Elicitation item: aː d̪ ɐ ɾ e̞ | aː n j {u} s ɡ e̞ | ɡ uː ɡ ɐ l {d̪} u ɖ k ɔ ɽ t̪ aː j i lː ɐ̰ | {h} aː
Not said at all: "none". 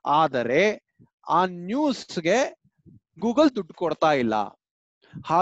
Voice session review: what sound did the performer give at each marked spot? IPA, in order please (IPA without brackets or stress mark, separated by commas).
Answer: uː, d̪, h